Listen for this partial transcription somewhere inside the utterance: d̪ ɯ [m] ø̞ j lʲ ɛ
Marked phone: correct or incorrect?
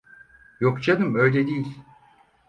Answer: correct